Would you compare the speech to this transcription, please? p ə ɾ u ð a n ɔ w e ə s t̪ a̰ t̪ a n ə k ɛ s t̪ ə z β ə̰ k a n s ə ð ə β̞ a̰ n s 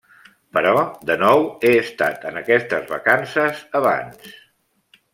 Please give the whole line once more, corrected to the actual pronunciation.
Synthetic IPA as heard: p ə ɾ ɔ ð ə n ɔ w e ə s t̪ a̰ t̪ ə n ə k ɛ s t̪ ə z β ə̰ k a n s ə z ə β̞ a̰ n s